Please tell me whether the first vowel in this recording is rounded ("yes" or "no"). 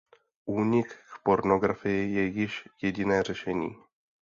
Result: yes